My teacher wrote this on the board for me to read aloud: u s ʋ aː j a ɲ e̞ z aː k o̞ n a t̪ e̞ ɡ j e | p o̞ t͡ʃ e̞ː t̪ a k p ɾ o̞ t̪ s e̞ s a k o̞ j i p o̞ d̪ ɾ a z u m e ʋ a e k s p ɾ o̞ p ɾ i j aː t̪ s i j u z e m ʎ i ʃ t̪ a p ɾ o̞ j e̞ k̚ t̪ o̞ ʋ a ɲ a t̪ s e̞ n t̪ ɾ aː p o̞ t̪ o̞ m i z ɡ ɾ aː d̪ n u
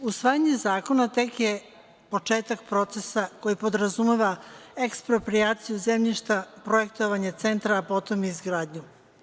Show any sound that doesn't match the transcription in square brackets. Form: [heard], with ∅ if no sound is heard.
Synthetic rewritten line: u s ʋ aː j a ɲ e̞ z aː k o̞ n a t̪ e̞ [k] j e | p o̞ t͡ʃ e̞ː t̪ a k p ɾ o̞ t̪ s e̞ s a k o̞ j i p o̞ d̪ ɾ a z u m e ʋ a e k s p ɾ o̞ p ɾ i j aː t̪ s i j u z e m ʎ i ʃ t̪ a p ɾ o̞ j e̞ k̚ t̪ o̞ ʋ a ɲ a t̪ s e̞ n t̪ ɾ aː p o̞ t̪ o̞ m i z ɡ ɾ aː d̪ [ɲ] u